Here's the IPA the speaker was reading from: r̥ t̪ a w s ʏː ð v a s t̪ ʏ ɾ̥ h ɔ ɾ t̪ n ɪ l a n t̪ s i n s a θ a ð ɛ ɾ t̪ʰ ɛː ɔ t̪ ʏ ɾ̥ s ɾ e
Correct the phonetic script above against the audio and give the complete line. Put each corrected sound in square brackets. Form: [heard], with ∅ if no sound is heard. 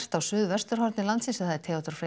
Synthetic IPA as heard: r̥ t̪ a w s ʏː ð v [ɛ] s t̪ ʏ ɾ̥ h ɔ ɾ t̪ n ɪ l a n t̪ s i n s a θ a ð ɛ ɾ t̪ʰ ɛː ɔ t̪ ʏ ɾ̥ [f] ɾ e